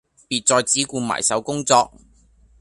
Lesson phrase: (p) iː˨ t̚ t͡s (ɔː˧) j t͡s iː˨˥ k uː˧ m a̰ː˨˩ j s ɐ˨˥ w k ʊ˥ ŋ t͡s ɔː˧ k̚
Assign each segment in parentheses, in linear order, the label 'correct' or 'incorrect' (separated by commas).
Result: correct, correct